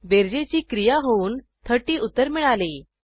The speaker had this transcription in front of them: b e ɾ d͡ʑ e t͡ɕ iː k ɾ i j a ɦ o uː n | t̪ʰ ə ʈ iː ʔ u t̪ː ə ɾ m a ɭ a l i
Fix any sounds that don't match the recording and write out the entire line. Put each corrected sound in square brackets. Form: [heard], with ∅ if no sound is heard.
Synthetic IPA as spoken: b e ɾ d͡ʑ e t͡ɕ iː k ɾ i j a ɦ o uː n | t̪ʰ ə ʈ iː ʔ u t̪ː ə ɾ m [i] ɭ a l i